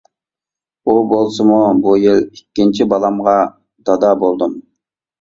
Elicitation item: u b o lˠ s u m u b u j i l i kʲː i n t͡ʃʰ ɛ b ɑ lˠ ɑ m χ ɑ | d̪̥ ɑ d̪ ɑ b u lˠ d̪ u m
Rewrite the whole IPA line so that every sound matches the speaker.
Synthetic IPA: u b o lˠ s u m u b u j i l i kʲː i n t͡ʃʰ i b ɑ lˠ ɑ m ʁ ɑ | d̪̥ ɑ d̪ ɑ b o lˠ d̪ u m